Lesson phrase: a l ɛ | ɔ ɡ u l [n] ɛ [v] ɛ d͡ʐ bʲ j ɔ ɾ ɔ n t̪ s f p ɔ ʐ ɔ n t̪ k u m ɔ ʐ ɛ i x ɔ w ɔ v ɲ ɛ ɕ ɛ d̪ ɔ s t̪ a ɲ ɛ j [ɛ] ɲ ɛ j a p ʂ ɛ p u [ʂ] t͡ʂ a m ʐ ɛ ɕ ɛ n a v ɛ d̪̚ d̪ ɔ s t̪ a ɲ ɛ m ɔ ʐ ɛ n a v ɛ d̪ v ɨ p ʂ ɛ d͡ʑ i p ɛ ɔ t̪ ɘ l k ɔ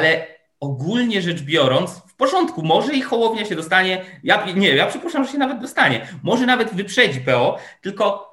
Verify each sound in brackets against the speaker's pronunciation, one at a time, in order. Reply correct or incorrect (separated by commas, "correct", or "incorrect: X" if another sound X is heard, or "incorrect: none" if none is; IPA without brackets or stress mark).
incorrect: ɲ, incorrect: ʐ, incorrect: a, correct